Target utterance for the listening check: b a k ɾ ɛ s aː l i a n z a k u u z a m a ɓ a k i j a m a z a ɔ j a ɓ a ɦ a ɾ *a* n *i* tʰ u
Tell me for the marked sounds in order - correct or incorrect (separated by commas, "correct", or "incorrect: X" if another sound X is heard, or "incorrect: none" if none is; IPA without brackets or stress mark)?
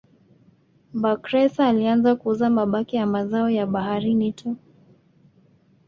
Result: incorrect: i, correct